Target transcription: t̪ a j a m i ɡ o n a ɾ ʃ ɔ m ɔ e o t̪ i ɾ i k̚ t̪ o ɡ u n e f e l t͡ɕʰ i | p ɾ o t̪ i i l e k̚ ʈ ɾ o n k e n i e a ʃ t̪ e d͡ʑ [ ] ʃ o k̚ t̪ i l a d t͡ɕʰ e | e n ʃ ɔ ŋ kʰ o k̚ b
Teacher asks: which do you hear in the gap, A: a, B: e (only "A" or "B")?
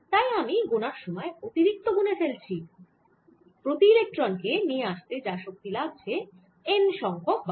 A